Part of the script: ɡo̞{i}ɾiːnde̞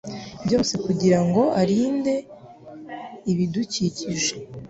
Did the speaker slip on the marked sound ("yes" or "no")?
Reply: yes